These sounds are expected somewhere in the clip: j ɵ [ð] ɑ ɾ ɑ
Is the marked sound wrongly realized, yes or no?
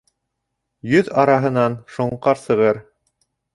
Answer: no